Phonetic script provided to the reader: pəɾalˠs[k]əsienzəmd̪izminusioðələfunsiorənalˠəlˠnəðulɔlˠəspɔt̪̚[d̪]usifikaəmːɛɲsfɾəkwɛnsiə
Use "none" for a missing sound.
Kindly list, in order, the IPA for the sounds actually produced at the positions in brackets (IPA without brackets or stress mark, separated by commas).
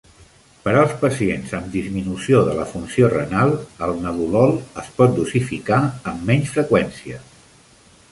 p, d̪